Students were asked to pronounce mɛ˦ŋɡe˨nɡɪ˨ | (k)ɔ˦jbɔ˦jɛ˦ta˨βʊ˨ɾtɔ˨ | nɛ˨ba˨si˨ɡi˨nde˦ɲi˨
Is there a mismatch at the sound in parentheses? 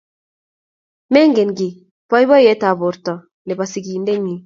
yes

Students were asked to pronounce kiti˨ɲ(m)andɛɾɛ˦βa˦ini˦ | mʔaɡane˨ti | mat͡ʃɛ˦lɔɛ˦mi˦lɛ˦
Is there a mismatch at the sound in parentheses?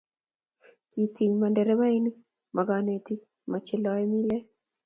no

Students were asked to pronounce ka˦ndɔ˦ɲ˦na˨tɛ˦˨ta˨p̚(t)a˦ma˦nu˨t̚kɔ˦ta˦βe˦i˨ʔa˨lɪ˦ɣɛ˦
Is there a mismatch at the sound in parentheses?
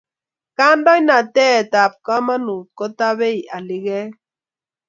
yes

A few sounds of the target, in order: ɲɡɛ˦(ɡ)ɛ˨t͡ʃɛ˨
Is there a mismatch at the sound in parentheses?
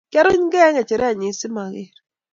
yes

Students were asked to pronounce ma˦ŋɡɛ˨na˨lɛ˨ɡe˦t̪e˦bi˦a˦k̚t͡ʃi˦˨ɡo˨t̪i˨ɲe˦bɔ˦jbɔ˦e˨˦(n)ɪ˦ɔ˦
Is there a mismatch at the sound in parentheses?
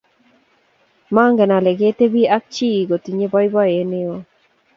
no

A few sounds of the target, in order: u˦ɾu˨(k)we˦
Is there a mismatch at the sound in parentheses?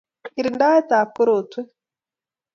yes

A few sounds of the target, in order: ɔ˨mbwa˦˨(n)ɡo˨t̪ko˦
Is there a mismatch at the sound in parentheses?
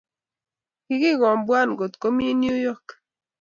no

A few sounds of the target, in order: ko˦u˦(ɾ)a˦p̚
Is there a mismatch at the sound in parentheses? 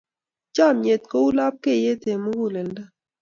yes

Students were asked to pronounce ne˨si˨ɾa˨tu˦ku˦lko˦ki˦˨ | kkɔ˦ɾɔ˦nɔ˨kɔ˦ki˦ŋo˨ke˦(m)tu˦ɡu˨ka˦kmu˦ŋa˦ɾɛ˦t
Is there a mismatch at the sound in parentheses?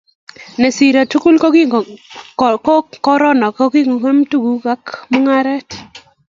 no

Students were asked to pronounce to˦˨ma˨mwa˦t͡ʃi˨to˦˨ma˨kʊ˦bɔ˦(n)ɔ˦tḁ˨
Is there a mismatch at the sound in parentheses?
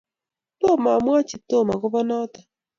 no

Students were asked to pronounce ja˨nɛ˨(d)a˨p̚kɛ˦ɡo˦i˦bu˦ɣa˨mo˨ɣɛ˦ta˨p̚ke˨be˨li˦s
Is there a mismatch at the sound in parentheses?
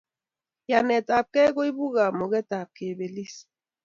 yes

